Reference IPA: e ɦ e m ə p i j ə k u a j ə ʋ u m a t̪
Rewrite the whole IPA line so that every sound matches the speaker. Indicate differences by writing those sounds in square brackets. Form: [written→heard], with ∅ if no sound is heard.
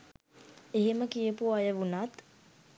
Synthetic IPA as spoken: e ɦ e m ə [p→k] i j ə [k→p] u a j ə ʋ u [m→n] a t̪